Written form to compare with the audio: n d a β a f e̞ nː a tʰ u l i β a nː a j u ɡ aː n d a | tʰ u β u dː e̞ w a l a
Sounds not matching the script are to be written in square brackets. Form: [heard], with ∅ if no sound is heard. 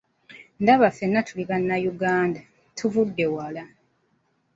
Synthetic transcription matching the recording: n d a β a f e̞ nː a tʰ u l i β a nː a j u ɡ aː n d a | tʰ u [v] u dː e̞ w a l a